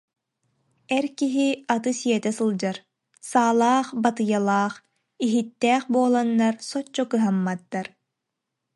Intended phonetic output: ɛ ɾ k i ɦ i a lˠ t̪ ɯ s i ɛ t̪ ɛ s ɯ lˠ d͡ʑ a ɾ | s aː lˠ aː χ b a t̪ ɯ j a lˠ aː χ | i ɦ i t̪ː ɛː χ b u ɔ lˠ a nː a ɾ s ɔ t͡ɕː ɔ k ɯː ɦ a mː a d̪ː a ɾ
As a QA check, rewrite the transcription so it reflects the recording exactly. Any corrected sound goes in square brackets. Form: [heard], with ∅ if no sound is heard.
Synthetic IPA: ɛ ɾ k i ɦ i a [∅] t̪ ɯ s i ɛ t̪ ɛ s ɯ lˠ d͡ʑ a ɾ | s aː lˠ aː χ b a t̪ ɯ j a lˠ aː χ | i ɦ i t̪ː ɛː χ b u ɔ lˠ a nː a ɾ s ɔ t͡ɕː ɔ k [ɯ] ɦ a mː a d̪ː a ɾ